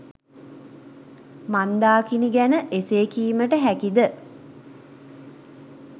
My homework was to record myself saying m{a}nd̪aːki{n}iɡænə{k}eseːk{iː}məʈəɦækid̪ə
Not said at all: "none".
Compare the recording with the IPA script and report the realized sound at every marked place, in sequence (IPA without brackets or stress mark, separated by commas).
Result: a, n, ʔ, iː